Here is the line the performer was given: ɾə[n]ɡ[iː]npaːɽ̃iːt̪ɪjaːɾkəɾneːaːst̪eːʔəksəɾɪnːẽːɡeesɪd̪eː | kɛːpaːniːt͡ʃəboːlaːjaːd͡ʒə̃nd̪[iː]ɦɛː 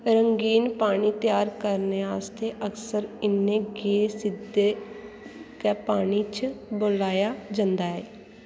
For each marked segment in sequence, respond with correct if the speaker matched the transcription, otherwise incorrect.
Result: incorrect: ŋ, correct, incorrect: aː

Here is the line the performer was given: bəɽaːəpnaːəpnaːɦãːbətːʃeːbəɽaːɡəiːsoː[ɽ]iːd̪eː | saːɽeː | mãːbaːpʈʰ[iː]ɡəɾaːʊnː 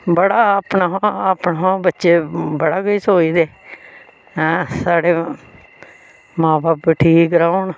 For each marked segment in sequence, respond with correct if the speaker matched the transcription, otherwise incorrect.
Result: incorrect: none, correct

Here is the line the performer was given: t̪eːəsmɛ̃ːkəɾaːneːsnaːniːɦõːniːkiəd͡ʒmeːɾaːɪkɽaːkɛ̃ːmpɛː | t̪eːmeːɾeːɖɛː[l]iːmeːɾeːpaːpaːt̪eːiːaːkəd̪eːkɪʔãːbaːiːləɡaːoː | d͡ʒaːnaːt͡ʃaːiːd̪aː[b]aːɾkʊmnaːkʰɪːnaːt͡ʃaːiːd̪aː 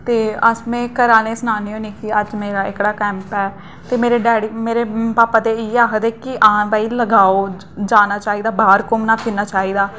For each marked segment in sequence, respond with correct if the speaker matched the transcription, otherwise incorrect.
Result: incorrect: ɽ, correct

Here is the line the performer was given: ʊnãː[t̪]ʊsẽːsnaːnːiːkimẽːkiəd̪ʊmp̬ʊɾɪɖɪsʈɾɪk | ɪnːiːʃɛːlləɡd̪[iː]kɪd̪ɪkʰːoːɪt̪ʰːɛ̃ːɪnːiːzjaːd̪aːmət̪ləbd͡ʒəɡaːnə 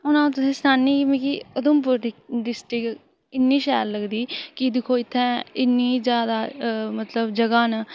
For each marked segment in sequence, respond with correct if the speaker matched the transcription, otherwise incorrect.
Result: correct, correct

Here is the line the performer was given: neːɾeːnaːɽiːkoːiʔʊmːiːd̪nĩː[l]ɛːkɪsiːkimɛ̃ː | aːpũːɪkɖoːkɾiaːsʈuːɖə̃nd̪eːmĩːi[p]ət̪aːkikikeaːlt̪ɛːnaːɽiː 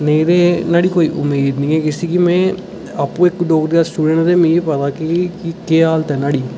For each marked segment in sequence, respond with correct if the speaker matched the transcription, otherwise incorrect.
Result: incorrect: none, correct

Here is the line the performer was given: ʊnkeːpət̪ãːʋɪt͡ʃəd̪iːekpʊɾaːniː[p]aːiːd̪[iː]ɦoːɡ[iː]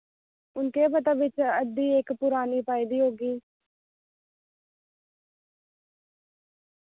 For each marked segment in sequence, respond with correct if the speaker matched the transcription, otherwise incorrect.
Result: correct, correct, correct

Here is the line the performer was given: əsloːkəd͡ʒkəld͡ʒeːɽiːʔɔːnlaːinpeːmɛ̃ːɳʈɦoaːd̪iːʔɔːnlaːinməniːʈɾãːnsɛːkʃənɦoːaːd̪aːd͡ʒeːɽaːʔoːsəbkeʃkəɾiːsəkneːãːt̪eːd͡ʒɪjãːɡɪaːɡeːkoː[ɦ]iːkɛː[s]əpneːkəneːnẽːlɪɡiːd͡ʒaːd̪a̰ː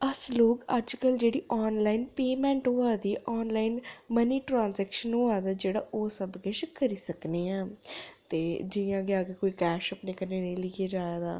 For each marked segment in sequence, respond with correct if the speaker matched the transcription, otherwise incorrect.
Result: incorrect: none, incorrect: ʃ

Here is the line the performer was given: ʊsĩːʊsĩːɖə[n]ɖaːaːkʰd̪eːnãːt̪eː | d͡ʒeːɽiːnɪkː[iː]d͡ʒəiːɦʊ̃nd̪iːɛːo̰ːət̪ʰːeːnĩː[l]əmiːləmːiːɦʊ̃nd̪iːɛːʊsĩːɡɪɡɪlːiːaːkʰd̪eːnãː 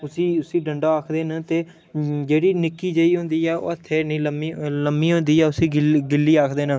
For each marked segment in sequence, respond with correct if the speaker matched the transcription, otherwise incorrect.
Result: incorrect: ɳ, correct, correct

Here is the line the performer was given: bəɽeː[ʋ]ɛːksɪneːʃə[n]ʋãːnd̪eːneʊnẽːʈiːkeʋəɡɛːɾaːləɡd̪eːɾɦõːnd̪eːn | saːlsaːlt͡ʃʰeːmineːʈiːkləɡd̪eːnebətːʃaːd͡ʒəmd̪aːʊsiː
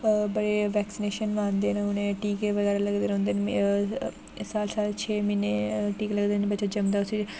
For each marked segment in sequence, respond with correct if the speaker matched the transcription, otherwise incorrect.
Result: correct, correct

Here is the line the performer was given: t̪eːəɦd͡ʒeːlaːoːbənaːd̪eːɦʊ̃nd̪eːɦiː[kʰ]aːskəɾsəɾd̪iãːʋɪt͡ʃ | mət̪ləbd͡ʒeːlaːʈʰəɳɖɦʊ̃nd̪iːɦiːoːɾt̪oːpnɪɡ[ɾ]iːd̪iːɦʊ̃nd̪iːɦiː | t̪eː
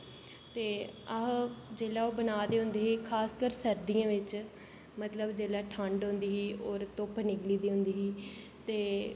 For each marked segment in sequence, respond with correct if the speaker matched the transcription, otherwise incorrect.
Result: correct, incorrect: l

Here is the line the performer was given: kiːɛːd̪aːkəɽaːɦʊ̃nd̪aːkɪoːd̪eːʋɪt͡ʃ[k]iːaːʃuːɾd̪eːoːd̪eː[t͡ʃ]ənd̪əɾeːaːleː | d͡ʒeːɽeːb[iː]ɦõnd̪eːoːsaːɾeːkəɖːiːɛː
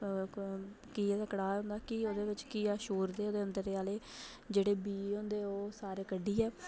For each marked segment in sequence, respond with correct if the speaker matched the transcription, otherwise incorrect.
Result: correct, incorrect: none, correct

